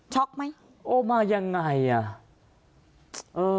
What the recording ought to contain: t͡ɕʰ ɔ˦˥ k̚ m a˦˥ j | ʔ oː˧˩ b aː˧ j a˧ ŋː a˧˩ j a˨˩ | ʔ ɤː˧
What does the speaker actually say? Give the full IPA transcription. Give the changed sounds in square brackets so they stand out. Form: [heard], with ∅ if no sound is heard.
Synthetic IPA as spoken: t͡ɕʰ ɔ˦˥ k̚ m a˦˥ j | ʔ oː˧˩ [m] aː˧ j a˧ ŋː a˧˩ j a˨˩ | ʔ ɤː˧